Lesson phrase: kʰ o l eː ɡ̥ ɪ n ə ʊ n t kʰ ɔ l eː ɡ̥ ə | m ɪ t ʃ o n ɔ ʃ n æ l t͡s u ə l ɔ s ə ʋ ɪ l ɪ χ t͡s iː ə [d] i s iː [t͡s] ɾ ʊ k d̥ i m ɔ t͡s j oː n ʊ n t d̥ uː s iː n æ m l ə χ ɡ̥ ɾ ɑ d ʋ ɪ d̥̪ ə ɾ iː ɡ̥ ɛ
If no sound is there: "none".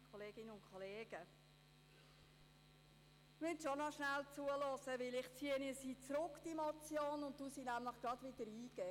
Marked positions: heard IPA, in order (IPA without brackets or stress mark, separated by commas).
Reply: n, t͡s